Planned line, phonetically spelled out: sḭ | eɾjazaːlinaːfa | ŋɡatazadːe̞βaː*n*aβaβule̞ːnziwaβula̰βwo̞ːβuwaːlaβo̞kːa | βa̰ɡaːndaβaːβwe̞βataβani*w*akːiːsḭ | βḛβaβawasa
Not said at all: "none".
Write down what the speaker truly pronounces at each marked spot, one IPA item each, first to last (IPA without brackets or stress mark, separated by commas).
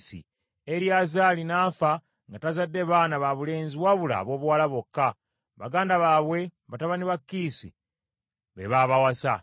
n, β